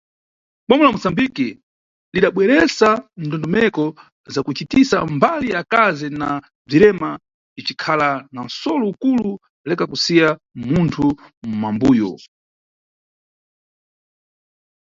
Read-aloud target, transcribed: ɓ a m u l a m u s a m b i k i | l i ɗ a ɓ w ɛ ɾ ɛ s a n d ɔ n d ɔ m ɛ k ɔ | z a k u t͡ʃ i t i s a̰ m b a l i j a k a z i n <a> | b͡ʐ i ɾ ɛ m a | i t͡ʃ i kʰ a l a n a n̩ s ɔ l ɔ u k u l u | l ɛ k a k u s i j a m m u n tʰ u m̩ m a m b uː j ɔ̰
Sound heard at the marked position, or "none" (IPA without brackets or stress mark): a